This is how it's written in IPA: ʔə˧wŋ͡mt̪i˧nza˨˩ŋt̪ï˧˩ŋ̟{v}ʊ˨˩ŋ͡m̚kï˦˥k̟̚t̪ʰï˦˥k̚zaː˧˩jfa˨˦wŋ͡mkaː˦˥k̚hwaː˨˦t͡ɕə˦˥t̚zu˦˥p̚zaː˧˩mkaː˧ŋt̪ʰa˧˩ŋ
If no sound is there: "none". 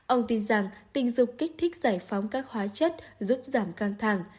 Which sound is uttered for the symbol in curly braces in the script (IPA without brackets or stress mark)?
z